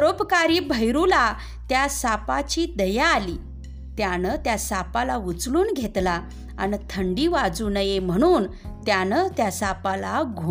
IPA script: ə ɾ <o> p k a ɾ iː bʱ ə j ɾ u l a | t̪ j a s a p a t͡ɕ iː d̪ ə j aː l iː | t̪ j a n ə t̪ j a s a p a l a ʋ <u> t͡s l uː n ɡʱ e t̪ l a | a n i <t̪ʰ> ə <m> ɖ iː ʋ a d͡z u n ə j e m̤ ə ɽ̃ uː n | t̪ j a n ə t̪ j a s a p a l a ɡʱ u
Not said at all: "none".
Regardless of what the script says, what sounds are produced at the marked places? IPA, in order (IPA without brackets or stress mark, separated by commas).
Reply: o, u, t̪ʰ, ɳ